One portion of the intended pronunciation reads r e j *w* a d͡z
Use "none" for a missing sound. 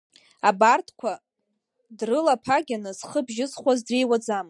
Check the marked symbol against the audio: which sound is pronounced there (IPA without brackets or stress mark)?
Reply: w